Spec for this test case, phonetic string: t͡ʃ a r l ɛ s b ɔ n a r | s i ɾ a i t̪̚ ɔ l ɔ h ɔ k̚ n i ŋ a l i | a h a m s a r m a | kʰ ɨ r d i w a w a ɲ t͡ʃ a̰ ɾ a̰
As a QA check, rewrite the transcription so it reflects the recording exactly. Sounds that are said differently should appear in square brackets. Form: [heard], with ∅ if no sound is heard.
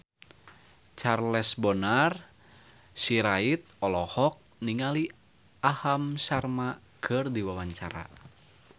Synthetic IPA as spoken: t͡ʃ a r l ɛ s b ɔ n a r | s i ɾ a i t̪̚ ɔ l ɔ h ɔ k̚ n i ŋ a l i | a h a m s a r m a | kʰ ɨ r d i w a w a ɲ t͡ʃ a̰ ɾ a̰

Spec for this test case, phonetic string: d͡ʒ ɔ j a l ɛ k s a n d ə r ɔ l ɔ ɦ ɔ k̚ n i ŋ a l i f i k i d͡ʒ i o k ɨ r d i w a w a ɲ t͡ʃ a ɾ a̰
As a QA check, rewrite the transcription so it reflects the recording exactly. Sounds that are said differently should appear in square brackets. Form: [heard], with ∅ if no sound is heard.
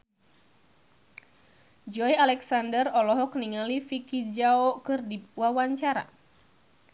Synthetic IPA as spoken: d͡ʒ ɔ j a l ɛ k s a n d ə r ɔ l ɔ ɦ ɔ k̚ n i ŋ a l i f i k i d͡ʒ [a] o k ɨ r d i w a w a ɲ t͡ʃ a ɾ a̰

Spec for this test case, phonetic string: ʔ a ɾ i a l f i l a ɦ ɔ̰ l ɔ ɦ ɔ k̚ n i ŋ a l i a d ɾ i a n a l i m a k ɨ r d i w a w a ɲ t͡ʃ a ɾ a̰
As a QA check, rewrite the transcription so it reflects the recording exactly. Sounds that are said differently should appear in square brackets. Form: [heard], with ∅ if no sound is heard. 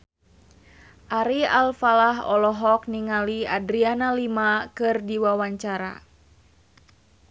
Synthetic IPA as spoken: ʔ a ɾ i a l f [a] l a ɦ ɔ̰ l ɔ ɦ ɔ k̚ n i ŋ a l i a d ɾ i a n a l i m a k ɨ r d i w a w a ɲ t͡ʃ a ɾ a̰

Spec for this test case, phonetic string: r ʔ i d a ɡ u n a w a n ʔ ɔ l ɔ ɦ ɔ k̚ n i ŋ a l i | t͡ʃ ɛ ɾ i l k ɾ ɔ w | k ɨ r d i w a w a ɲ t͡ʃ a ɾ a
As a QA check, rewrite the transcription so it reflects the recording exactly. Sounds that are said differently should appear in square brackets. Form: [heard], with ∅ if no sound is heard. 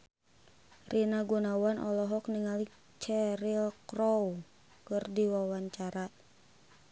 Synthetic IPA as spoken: r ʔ i [n] a ɡ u n a w a n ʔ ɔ l ɔ ɦ ɔ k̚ n i ŋ a l i | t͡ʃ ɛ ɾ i l k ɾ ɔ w | k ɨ r d i w a w a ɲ t͡ʃ a ɾ a

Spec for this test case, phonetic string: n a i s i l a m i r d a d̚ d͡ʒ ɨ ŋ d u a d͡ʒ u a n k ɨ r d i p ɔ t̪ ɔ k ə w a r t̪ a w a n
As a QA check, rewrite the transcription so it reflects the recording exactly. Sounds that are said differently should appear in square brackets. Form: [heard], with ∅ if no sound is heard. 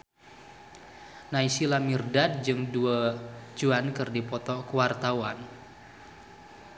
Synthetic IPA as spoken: n a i s i l a m i r d a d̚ d͡ʒ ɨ ŋ d u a d͡ʒ u a n k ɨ r d i p ɔ t̪ ɔ k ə w a r t̪ a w a n

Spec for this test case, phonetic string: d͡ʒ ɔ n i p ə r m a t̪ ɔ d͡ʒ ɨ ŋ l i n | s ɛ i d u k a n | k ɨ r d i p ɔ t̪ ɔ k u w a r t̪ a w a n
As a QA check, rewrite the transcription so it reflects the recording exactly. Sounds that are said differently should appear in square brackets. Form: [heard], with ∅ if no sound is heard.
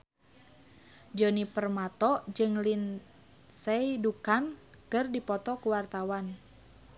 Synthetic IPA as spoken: d͡ʒ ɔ n i p ə r m a t̪ ɔ d͡ʒ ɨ ŋ l i n | s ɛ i d u k a n | k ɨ r d i p ɔ t̪ ɔ k u w a r t̪ a w a n

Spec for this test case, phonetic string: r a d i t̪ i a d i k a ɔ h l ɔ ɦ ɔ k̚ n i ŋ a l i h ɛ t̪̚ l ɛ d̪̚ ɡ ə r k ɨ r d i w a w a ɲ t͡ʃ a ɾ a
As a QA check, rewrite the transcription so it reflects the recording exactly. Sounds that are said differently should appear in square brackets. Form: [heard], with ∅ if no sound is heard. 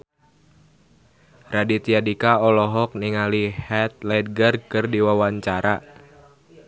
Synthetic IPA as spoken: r a d i t̪ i a d i k a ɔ [∅] l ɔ ɦ ɔ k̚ n i ŋ a l i h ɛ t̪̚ l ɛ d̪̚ ɡ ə r k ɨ r d i w a w a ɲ t͡ʃ a ɾ a

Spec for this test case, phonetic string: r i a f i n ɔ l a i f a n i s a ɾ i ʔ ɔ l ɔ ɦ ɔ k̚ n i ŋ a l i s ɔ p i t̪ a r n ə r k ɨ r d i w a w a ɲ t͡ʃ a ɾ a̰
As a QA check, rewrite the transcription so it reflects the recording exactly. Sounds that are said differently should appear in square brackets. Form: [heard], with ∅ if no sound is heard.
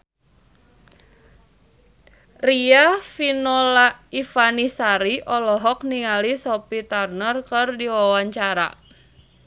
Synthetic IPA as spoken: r i a f i n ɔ l a i f a n i s a ɾ i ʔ ɔ l ɔ ɦ ɔ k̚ n i ŋ a l i s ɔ p i t̪ a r n ə r k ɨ r d i w a w a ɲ t͡ʃ a ɾ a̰

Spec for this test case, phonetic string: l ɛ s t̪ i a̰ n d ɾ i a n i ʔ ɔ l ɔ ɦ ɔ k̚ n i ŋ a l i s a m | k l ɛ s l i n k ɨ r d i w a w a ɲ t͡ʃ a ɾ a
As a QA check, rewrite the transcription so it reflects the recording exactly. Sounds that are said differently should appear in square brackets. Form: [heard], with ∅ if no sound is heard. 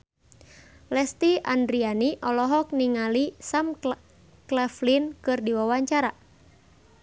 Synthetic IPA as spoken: l ɛ s t̪ i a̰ n d ɾ i a n i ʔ ɔ l ɔ ɦ ɔ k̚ n i ŋ a l i s a m | k l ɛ [f] l i n k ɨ r d i w a w a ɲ t͡ʃ a ɾ a

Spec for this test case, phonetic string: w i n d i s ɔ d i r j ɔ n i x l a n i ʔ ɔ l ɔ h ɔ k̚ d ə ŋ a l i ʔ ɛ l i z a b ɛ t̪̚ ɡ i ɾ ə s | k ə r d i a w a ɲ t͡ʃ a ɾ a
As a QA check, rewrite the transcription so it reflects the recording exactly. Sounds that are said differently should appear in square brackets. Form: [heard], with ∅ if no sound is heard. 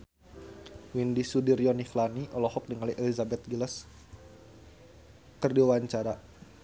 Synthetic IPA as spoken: w i n d i s [u] d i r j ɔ n i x l a n i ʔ ɔ l ɔ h ɔ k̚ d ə ŋ a l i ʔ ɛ l i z a b ɛ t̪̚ ɡ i [l] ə s | k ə r d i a w a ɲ t͡ʃ a ɾ a

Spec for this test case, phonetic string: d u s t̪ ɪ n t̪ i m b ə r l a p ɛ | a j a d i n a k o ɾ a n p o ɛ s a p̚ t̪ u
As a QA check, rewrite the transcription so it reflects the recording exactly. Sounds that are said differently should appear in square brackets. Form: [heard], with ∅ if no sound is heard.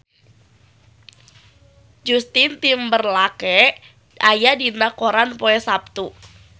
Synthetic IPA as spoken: [d͡ʒ] u s t̪ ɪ n t̪ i m b ə r l a [k] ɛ | a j a d i n a k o ɾ a n p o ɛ s a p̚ t̪ u

